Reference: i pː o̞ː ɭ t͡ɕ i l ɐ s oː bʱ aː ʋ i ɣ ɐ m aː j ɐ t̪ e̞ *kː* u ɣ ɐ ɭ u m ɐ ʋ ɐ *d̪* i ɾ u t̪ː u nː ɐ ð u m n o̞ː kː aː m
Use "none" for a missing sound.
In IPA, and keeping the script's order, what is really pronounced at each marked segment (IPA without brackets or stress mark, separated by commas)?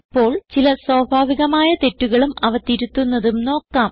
tː, t̪